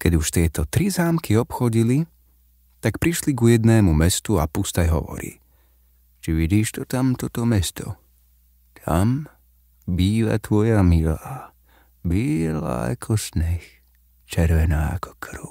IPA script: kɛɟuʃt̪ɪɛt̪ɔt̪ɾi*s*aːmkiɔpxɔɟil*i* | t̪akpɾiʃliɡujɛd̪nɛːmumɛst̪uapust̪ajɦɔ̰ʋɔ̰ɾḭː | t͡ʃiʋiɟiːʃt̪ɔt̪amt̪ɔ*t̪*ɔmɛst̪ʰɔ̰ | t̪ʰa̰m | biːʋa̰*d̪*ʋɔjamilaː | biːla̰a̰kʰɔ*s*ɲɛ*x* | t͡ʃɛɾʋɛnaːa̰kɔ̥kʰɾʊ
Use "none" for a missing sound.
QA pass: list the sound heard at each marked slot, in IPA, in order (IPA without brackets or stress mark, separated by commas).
z, i, t̪, t̪, s, x